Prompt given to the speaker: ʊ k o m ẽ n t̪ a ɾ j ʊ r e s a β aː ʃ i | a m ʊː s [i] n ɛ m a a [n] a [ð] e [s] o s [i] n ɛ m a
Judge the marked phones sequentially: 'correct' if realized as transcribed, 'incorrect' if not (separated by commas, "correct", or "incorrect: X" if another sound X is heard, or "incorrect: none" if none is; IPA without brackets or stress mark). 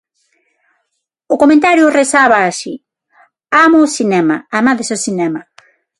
correct, incorrect: m, correct, correct, correct